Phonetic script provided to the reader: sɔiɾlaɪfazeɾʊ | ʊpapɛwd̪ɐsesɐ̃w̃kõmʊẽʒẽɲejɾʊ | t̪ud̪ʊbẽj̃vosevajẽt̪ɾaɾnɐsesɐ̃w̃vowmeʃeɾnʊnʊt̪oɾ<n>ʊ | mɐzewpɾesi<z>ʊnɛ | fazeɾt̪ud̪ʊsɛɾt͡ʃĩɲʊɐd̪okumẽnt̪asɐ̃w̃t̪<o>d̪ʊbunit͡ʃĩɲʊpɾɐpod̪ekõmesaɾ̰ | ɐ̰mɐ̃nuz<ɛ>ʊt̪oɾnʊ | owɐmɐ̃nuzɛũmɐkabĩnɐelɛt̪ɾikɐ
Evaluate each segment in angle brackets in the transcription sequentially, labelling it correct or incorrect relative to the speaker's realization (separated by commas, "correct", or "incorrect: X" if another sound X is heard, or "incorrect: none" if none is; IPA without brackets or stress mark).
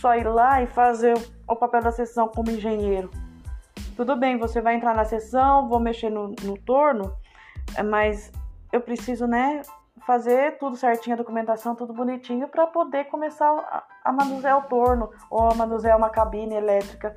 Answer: correct, correct, incorrect: u, correct